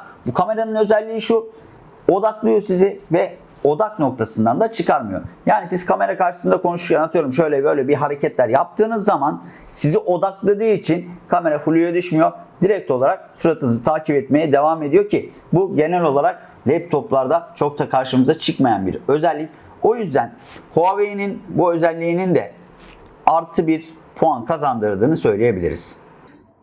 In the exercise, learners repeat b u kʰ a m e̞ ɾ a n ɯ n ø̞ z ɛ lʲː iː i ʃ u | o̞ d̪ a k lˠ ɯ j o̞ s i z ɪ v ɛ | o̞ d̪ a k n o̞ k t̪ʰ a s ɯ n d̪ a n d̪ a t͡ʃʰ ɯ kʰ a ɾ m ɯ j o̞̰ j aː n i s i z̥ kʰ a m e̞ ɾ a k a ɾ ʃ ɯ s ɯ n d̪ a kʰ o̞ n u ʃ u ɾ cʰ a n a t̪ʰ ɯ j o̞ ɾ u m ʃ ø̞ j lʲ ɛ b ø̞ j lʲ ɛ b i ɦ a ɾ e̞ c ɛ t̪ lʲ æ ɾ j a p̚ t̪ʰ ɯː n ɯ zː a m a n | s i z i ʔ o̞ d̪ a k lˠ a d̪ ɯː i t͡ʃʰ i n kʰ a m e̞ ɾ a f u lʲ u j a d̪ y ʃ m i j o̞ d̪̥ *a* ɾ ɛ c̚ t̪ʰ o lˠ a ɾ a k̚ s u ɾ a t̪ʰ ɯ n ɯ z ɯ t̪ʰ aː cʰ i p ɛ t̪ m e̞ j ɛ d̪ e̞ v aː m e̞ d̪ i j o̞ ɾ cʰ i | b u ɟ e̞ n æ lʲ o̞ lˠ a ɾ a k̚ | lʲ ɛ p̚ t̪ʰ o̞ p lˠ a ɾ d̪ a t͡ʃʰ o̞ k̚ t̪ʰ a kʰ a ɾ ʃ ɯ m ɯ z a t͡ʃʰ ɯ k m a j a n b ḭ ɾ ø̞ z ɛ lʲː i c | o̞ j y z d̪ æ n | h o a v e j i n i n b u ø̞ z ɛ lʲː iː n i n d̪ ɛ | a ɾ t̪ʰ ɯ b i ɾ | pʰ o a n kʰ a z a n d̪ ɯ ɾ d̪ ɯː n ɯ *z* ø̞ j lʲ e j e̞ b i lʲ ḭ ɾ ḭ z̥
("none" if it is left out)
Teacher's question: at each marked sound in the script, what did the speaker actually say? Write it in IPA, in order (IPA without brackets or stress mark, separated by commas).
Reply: i, s